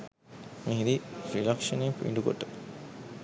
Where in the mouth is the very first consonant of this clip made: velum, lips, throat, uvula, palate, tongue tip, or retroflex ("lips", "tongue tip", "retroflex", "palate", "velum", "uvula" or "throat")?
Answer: lips